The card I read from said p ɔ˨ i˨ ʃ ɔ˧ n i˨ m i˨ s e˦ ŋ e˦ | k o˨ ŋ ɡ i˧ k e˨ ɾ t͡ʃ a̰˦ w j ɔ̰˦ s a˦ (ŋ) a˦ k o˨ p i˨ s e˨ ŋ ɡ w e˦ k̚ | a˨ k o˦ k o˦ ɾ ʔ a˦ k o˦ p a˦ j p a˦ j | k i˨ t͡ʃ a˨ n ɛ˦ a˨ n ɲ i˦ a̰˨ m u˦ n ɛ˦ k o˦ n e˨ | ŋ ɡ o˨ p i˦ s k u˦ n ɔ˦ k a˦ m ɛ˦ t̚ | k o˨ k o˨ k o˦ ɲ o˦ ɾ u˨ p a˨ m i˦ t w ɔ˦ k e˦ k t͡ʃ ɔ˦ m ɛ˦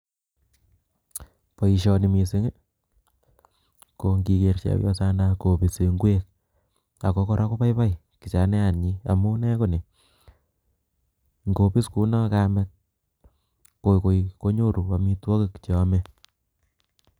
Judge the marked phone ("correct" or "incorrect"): incorrect